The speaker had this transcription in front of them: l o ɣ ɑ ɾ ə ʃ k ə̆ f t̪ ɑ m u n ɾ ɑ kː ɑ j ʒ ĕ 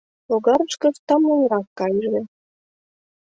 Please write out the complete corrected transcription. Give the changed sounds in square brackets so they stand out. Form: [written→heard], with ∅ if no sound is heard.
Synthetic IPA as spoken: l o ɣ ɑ ɾ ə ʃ k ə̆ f t̪ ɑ m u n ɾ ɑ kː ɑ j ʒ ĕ